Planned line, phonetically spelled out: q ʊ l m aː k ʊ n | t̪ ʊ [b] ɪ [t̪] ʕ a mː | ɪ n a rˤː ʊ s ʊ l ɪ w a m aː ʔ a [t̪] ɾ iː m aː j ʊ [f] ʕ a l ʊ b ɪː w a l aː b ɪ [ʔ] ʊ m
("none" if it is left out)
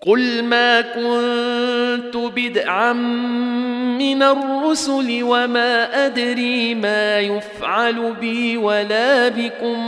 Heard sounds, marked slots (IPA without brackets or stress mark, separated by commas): b, d̪, d̪, f, k